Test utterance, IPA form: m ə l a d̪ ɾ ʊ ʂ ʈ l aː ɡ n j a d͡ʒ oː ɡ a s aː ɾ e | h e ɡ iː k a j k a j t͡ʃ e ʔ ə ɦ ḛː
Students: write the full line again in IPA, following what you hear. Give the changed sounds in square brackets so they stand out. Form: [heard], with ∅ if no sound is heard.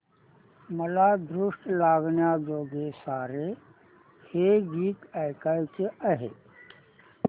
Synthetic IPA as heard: m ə l a d̪ ɾ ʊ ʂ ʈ l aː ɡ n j a d͡ʒ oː ɡ [e] s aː ɾ e | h e ɡ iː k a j k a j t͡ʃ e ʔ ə ɦ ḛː